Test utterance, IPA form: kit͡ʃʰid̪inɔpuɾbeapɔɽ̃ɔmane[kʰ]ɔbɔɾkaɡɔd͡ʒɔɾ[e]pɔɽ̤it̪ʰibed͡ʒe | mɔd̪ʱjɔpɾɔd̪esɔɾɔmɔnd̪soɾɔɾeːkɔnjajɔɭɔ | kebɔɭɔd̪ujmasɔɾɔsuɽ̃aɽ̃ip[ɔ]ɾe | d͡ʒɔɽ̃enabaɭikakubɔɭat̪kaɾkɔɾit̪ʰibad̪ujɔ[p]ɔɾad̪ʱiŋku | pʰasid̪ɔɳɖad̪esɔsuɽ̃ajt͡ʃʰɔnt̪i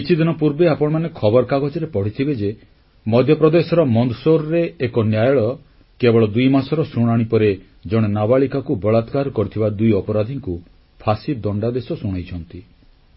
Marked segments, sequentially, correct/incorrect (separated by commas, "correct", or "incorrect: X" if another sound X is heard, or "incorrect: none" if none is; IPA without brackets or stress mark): correct, correct, correct, correct